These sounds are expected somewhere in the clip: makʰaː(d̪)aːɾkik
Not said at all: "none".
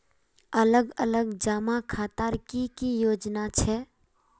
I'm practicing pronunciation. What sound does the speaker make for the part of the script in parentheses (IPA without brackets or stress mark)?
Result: t̪